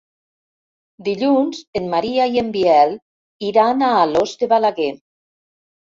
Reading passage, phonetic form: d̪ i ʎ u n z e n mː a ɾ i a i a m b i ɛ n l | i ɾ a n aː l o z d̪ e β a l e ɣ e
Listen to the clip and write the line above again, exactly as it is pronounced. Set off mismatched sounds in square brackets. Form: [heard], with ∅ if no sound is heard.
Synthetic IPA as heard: d̪ i ʎ u n z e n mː a ɾ i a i [e] m b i ɛ [∅] l | i ɾ a n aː l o z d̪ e β a l [a] ɣ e